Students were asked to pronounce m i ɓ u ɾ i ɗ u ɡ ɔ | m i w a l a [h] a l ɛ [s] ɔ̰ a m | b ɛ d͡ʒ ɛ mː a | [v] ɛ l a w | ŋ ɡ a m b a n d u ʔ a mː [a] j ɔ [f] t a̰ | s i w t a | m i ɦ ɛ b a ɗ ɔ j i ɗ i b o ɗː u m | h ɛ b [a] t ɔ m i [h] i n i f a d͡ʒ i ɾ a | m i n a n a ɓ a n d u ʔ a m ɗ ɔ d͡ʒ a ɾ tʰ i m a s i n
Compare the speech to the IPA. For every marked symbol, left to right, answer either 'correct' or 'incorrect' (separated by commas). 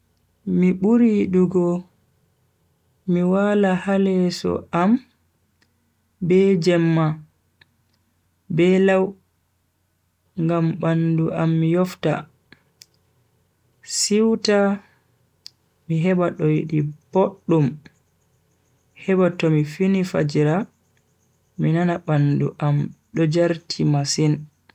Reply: correct, correct, incorrect, incorrect, correct, correct, incorrect